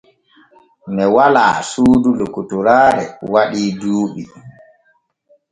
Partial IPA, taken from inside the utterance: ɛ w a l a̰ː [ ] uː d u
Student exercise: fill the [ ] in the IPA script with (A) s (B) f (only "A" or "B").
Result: A